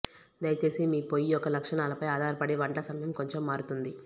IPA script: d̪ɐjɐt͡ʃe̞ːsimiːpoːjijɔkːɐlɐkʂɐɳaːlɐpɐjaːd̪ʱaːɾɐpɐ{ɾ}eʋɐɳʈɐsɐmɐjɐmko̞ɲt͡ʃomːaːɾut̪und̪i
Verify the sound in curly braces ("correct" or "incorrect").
incorrect